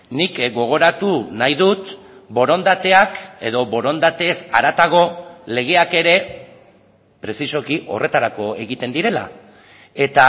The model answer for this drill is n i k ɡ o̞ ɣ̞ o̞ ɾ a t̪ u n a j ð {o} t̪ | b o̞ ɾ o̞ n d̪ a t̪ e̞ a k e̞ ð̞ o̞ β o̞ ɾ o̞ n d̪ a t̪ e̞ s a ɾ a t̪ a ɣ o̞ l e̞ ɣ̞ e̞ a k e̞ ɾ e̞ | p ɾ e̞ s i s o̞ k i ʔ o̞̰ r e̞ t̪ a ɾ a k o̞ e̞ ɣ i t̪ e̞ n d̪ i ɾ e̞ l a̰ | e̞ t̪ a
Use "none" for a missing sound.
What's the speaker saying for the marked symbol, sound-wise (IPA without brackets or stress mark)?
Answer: u